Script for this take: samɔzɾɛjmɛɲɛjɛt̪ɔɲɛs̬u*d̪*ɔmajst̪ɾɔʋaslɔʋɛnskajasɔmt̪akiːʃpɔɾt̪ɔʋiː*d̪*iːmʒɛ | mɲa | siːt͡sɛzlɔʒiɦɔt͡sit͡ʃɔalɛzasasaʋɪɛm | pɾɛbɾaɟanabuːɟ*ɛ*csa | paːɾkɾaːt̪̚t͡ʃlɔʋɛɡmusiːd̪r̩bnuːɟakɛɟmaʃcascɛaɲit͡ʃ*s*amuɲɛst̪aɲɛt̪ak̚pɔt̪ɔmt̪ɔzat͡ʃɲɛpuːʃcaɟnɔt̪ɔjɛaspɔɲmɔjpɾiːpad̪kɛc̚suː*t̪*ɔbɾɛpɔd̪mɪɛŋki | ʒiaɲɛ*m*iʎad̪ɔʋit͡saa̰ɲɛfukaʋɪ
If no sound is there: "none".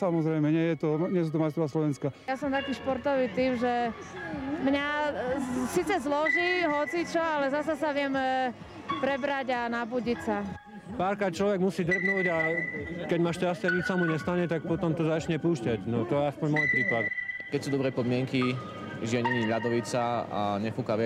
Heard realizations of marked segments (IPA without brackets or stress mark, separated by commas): t̪, t̪, i, s, d̪, ɲ